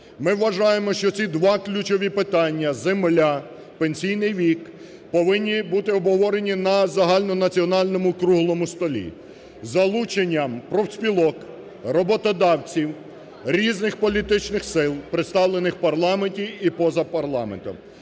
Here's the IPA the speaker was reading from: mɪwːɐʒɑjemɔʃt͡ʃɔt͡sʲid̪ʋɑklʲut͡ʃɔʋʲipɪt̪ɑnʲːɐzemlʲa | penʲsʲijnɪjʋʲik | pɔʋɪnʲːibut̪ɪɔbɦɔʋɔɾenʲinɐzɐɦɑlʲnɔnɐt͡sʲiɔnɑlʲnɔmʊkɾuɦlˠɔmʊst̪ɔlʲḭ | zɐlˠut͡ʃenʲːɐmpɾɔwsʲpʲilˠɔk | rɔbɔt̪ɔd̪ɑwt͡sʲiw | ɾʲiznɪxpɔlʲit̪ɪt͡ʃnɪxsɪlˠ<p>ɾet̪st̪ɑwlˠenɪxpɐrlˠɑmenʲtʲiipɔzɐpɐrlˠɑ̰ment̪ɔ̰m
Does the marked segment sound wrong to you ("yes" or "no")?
no